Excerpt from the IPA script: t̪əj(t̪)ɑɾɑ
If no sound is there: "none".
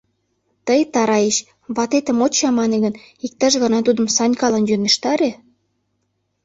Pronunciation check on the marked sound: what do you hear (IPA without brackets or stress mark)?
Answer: t̪